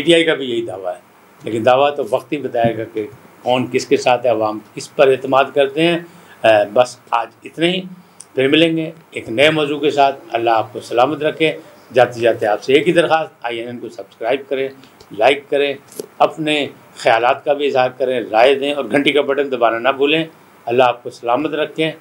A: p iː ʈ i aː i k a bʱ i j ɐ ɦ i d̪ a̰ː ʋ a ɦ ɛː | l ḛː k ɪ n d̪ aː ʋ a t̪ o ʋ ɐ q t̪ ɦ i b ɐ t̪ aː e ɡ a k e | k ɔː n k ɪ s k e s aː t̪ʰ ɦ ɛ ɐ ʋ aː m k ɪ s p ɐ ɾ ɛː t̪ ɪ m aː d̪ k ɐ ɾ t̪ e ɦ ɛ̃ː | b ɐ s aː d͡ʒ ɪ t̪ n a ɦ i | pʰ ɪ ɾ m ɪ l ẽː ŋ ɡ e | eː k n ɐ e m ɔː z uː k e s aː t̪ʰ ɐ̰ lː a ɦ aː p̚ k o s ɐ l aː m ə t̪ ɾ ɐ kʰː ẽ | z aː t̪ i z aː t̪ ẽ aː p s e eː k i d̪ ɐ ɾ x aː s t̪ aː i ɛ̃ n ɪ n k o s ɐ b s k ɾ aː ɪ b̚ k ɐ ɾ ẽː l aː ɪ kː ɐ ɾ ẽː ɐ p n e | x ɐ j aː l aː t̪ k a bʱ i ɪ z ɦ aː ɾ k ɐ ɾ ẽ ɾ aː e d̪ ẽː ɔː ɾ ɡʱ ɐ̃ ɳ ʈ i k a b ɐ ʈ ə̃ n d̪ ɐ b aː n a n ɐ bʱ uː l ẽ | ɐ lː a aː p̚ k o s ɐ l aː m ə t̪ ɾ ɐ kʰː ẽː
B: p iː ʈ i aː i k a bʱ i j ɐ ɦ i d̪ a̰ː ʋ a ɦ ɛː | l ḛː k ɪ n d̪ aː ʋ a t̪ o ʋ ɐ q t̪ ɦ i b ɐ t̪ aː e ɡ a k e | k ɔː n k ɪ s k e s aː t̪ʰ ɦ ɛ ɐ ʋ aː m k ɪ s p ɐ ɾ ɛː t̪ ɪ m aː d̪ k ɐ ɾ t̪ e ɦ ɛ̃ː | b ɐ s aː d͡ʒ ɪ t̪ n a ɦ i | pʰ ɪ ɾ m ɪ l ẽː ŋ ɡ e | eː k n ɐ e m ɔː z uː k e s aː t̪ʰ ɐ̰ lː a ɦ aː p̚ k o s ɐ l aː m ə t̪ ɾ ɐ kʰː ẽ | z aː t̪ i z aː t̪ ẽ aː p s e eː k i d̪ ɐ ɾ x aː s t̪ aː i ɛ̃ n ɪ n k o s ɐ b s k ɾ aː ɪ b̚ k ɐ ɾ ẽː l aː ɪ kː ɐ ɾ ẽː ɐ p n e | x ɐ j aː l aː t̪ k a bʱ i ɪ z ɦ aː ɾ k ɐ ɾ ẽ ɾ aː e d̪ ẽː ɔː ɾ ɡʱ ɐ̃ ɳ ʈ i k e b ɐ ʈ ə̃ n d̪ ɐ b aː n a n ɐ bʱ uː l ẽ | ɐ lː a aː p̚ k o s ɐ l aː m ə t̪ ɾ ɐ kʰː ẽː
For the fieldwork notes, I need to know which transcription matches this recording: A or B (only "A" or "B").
A